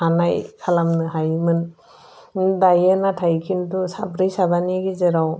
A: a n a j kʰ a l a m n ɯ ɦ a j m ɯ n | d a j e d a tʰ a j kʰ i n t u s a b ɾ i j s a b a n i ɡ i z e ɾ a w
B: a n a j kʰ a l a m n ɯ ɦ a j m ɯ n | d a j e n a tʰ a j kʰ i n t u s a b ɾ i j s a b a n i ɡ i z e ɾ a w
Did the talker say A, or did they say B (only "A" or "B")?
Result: B